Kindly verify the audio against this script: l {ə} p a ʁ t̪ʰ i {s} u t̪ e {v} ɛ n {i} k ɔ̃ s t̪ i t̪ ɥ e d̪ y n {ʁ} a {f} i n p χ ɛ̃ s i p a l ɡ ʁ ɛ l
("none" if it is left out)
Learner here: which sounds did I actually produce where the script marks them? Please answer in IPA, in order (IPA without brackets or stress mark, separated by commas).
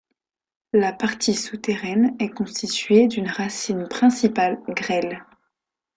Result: a, s, ʁ, ɛ, ʁ, s